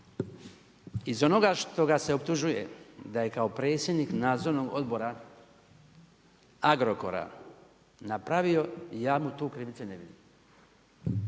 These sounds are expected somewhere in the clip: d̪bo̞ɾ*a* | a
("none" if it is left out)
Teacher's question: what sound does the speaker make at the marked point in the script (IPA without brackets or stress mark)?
a